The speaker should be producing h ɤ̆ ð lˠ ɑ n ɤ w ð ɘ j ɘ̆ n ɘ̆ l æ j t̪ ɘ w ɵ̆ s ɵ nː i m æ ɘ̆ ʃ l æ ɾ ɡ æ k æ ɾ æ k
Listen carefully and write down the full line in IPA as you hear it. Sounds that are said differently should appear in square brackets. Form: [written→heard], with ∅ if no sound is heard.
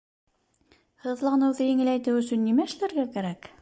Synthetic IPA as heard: h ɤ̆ ð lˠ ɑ n ɤ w ð ɘ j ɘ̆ [n→ŋ] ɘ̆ l æ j t̪ ɘ w ɵ̆ s ɵ nː i m æ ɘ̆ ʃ l æ ɾ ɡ æ k æ ɾ æ k

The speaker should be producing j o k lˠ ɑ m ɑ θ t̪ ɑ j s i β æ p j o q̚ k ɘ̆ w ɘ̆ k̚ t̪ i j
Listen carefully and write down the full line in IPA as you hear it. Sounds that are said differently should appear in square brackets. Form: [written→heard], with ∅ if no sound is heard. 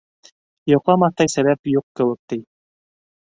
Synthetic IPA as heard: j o [k→q] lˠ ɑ m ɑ θ t̪ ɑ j s [i→æ] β æ p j [o→u] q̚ k ɘ̆ w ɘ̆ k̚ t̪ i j

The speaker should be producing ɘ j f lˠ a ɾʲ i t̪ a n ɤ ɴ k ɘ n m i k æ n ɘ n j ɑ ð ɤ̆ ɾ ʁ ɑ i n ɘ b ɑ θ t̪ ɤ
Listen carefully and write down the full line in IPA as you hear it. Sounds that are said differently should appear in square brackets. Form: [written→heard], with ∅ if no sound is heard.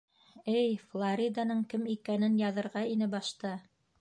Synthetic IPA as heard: ɘ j f lˠ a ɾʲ i [t̪→d̪] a n ɤ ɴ k ɘ [n→∅] m i k æ n ɘ n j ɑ ð ɤ̆ ɾ ʁ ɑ i n ɘ b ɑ [θ→ʃ] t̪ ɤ

